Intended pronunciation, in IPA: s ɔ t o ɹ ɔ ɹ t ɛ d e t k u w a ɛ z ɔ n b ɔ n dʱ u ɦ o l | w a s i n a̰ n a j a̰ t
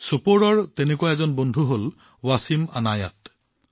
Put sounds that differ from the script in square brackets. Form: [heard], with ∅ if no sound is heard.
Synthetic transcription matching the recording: s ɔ [p] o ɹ ɔ ɹ t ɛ [n] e [∅] k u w a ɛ z ɔ n b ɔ n dʱ u ɦ o l | w a s i [m] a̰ n a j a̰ t